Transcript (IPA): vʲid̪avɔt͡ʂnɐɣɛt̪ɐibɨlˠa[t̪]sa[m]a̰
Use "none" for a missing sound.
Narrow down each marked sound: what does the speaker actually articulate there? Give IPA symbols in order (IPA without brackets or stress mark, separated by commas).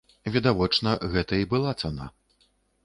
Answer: t̪, n